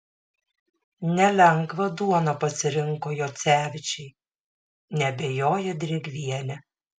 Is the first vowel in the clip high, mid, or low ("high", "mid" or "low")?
mid